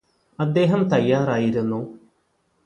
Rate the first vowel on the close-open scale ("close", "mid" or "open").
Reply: open